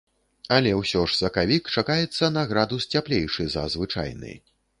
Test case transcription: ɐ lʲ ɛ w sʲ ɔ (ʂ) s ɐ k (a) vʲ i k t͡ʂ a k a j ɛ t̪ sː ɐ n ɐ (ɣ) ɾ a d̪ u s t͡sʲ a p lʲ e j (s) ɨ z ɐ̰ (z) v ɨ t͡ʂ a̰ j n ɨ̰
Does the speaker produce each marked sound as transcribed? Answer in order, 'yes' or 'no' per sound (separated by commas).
yes, yes, yes, no, yes